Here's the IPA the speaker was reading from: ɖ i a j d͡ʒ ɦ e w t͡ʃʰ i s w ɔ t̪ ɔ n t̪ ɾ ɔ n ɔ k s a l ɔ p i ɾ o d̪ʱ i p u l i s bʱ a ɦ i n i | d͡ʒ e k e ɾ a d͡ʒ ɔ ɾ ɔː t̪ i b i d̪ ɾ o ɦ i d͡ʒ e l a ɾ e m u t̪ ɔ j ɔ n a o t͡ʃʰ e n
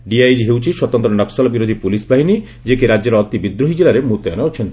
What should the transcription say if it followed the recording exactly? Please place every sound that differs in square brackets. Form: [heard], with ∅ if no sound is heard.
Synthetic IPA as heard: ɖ i a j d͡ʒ ɦ e w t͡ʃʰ i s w ɔ t̪ ɔ n t̪ ɾ ɔ n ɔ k s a l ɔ [b] i ɾ o d̪ʱ i p u l i s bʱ a ɦ i n i | d͡ʒ e k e ɾ a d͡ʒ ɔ ɾ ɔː t̪ i b i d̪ ɾ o ɦ i d͡ʒ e l a ɾ e m u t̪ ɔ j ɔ n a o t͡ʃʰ e n